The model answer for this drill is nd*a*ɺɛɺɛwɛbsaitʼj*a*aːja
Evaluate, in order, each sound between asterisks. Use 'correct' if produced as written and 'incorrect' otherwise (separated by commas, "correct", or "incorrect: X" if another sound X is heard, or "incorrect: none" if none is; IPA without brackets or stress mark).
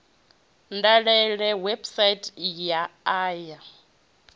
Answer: correct, correct